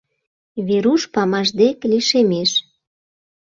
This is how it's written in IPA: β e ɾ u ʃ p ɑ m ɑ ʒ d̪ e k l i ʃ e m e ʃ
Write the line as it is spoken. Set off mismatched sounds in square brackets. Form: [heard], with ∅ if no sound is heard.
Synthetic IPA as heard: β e ɾ u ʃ p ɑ m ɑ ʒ d̪ e k l i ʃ e m e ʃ